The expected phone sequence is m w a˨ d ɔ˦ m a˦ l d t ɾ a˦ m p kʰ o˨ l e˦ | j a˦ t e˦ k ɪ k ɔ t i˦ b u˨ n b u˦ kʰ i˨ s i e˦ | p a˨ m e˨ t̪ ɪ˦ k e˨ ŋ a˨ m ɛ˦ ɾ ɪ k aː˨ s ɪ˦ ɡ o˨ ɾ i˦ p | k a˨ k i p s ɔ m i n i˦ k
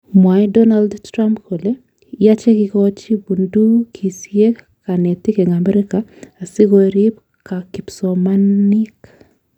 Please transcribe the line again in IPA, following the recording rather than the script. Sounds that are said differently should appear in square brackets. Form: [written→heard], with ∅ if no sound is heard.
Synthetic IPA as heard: m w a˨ d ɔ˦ [m→n] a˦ l d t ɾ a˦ m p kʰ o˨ l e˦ | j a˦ [t→t͡ʃ] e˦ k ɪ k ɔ [t→t͡ʃ] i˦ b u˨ n [b→d] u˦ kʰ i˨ s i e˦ | [p→k] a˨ [m→n] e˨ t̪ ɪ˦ k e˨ ŋ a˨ m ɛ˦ ɾ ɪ k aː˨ s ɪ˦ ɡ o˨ ɾ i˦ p | k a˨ k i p s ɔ m [i→a] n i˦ k